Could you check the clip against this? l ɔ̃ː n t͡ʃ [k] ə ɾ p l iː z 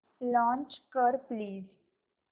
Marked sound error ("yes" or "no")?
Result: no